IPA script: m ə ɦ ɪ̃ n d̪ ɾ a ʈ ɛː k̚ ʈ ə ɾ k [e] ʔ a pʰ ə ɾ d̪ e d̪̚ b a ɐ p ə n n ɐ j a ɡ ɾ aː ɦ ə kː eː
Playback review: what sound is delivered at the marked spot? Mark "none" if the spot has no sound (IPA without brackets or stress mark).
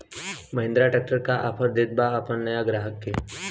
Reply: a